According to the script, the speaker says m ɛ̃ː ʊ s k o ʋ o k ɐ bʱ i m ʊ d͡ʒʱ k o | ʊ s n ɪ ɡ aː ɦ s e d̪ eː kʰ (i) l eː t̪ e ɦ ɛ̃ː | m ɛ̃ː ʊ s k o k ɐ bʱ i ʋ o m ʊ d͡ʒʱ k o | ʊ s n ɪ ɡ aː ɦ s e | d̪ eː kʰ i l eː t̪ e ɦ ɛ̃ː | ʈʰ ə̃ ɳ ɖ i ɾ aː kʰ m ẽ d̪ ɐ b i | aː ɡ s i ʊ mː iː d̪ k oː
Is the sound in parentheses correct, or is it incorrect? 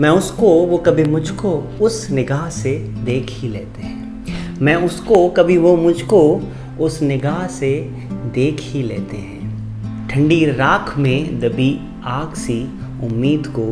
correct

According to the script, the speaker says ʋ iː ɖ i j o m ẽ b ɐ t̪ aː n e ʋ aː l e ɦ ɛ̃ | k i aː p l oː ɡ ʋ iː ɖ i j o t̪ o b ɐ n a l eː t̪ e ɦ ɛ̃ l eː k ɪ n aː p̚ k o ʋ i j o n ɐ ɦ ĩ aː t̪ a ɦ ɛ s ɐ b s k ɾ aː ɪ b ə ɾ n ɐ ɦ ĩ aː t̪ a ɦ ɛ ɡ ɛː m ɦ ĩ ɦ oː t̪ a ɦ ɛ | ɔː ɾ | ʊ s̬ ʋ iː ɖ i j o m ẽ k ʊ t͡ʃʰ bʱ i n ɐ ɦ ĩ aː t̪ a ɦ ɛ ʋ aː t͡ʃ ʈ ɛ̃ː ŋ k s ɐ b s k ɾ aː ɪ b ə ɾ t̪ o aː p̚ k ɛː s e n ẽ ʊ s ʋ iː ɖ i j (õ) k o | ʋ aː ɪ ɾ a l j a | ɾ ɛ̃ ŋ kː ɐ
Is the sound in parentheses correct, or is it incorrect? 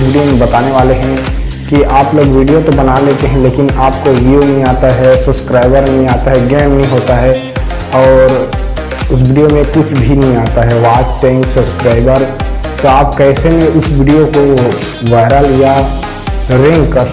incorrect: o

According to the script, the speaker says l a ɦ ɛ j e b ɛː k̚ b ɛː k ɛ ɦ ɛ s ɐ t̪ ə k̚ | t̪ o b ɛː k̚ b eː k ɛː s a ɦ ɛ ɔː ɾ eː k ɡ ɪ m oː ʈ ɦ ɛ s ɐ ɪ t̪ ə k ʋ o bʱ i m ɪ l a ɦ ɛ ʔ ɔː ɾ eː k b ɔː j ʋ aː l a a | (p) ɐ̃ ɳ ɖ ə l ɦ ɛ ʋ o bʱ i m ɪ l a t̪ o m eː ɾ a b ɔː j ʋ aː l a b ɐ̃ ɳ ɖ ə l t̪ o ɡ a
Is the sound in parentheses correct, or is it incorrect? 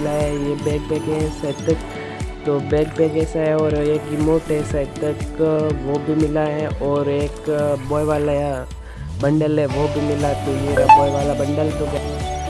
incorrect: b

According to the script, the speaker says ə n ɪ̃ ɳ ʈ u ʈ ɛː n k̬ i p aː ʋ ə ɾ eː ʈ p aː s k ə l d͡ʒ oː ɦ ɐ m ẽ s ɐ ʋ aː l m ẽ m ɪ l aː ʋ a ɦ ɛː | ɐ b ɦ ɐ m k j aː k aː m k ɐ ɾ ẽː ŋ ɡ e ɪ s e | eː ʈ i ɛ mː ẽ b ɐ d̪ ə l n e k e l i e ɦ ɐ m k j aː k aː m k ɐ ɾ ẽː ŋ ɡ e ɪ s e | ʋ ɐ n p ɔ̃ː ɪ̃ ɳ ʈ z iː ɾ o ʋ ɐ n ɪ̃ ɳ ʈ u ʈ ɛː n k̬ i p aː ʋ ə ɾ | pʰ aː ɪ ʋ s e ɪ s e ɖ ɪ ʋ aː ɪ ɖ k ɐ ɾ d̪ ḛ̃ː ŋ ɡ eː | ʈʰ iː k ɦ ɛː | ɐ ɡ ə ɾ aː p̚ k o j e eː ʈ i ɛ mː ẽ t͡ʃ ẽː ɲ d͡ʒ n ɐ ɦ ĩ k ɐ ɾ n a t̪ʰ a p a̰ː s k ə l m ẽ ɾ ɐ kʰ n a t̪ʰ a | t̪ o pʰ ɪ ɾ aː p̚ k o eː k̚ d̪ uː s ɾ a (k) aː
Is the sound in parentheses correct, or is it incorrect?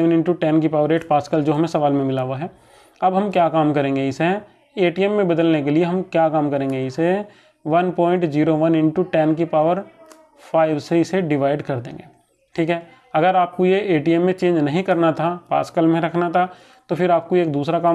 correct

